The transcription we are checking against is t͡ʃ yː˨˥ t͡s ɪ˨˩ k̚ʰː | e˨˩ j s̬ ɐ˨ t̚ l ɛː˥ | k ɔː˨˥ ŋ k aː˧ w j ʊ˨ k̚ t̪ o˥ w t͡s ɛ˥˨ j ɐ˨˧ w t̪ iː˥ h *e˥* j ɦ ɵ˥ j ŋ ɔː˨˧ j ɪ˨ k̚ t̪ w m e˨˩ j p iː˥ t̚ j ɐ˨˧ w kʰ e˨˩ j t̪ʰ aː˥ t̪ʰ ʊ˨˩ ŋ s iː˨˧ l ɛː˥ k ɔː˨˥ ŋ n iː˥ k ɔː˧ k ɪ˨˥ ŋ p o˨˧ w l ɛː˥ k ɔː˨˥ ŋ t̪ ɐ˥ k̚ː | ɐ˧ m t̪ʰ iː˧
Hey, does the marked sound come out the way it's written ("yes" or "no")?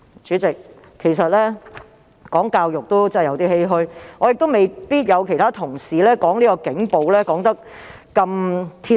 yes